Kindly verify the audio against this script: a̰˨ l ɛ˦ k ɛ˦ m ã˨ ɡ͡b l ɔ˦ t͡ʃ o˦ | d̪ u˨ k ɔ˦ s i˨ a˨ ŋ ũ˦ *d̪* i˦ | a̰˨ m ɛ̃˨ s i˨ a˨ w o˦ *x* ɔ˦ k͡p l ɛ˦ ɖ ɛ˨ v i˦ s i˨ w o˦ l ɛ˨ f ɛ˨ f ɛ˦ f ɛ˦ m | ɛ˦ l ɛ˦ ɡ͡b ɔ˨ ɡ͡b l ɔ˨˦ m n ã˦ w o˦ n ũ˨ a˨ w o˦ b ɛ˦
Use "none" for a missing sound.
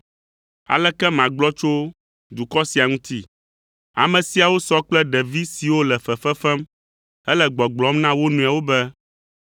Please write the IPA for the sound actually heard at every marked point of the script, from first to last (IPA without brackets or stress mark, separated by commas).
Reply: t̪, s